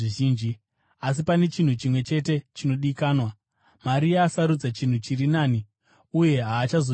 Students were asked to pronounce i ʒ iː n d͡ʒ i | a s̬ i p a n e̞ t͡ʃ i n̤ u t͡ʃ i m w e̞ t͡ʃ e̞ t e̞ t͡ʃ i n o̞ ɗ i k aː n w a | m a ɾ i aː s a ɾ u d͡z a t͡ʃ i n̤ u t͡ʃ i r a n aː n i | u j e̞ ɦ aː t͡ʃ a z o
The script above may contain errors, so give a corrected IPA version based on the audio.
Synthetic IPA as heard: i ʒ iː n d͡ʒ i | a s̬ i p a n e̞ t͡ʃ i n̤ u t͡ʃ i m w e̞ t͡ʃ e̞ t e̞ t͡ʃ i n o̞ ɗ i k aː n w a | m a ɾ i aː s a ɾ u d͡z a t͡ʃ i n̤ u t͡ʃ i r i n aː n i | u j e̞ ɦ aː t͡ʃ a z o